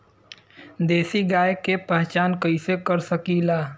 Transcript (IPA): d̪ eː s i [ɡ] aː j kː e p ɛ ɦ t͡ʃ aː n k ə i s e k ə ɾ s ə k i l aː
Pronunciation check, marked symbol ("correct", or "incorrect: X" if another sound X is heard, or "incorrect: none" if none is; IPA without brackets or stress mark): correct